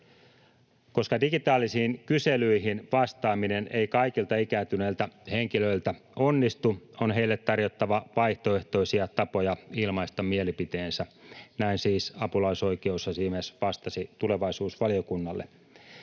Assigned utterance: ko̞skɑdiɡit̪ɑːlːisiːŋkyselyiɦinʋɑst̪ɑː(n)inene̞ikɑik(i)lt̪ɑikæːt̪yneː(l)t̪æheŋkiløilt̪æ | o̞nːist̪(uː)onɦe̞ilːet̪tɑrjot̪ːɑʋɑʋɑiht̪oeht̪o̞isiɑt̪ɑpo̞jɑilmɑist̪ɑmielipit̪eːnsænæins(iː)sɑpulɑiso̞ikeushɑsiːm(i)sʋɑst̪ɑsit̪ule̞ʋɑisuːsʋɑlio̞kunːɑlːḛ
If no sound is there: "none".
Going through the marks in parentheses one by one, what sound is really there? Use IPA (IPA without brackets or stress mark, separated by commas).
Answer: m, i, l, u, iː, e